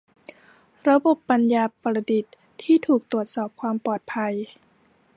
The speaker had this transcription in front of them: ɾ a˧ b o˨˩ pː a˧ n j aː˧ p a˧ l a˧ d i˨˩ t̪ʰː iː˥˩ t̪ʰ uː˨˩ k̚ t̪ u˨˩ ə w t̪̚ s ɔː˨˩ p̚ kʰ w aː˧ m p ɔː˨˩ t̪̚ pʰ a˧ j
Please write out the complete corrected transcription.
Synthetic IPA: ɾ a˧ b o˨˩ pː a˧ n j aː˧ p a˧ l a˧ d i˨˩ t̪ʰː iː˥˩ t̪ʰ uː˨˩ k̚ t̪ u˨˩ ə t̪̚ s ɔː˨˩ p̚ kʰ w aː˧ m p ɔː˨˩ t̪̚ pʰ a˧ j